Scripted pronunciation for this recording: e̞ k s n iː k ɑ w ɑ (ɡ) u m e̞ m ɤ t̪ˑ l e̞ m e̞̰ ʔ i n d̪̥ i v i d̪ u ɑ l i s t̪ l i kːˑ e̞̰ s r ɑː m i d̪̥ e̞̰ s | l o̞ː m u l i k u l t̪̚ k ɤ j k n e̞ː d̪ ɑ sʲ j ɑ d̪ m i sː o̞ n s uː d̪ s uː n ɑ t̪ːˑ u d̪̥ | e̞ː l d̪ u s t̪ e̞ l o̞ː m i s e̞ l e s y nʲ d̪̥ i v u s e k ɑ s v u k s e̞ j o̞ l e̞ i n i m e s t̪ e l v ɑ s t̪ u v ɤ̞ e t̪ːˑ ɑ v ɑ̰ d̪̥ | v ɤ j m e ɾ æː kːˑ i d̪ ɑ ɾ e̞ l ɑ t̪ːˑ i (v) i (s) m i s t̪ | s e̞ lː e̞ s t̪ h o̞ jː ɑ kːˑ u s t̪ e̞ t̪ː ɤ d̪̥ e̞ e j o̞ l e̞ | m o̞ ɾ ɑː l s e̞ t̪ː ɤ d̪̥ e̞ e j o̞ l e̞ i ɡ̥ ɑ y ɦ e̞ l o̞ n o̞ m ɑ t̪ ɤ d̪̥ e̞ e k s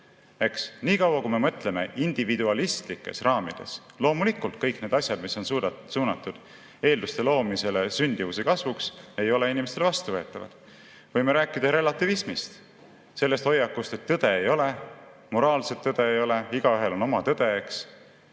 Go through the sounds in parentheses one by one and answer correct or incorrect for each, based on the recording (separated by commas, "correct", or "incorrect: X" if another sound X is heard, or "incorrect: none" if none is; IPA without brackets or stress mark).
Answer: incorrect: k, correct, correct